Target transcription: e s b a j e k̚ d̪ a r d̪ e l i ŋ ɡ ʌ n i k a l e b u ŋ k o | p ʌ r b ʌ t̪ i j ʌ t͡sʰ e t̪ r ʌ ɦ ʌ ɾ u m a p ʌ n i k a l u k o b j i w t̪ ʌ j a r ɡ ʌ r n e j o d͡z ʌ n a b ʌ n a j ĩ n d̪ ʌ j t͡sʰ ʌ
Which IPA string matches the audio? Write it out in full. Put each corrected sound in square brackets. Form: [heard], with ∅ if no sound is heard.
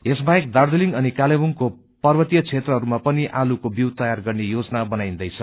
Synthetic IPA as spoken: e s b a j e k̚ d̪ a r d̪ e l i ŋ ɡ ʌ n i k a l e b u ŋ k o | p ʌ r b ʌ t̪ i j ʌ t͡sʰ e t̪ r ʌ ɦ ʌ ɾ u m a p ʌ n i [ʔ] a l u k o b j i w t̪ ʌ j a r ɡ ʌ r n e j o d͡z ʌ n a b ʌ n a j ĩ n d̪ ʌ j t͡sʰ ʌ